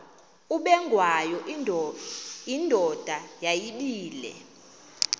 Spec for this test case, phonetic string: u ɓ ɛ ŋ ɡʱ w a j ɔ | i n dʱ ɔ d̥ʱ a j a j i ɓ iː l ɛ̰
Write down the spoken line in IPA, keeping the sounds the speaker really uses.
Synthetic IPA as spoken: u ɓ ɛ ŋ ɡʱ w a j ɔ | i n dʱ ɔ d̥ʱ a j a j i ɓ iː l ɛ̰